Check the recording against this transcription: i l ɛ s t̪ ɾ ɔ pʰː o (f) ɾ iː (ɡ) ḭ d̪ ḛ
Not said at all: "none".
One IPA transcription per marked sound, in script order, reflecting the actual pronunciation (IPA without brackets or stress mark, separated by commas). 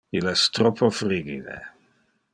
f, ɡ